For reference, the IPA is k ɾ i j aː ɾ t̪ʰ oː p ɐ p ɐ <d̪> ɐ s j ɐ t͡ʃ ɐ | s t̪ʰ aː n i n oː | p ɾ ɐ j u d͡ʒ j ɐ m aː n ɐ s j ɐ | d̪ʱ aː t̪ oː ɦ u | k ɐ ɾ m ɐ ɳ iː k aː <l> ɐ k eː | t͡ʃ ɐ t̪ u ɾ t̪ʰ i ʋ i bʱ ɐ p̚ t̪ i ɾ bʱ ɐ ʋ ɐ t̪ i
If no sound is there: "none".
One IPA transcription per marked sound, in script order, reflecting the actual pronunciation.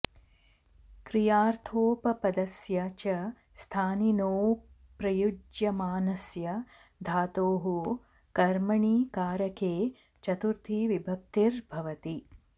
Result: d̪, ɾ

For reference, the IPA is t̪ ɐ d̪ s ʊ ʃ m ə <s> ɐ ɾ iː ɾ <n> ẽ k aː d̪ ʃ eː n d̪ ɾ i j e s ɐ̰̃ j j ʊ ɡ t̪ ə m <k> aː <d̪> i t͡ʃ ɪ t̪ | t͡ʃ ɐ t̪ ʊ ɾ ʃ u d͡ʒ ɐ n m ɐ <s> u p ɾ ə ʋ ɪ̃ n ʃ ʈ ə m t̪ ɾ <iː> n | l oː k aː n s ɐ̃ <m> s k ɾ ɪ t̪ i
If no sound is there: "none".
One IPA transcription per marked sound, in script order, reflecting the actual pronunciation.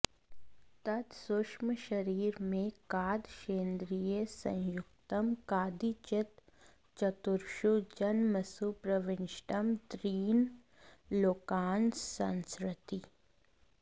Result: ʃ, m, k, d̪, s, iː, n

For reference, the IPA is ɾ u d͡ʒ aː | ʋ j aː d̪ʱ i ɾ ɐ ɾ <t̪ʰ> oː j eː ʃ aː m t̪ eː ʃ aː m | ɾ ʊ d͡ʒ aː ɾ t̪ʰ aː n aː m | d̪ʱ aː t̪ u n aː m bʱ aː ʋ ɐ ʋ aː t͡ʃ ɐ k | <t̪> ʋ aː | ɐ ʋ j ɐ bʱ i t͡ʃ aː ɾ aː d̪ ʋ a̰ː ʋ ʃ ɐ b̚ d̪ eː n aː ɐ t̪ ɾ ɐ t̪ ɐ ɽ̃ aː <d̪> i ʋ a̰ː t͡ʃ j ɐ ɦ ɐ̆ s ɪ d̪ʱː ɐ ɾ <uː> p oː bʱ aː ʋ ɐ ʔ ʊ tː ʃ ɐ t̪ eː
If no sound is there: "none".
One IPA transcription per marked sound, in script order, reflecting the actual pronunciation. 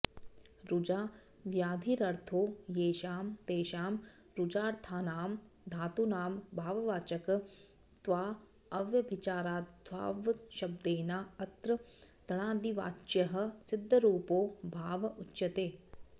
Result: t̪ʰ, t̪, d̪, uː

